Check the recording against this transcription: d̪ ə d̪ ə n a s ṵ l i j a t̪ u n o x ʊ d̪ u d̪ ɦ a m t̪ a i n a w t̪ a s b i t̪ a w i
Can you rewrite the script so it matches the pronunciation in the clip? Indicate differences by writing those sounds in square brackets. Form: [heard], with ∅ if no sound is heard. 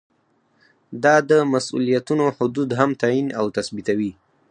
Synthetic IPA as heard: d̪ [ɑ] d̪ ə [m] a s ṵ l i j a t̪ u n o [h] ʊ d̪ u d̪ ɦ a m t̪ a i n a w t̪ a s b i t̪ a w i